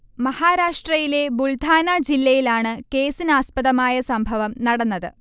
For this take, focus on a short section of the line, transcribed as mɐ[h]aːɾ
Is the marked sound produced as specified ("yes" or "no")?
yes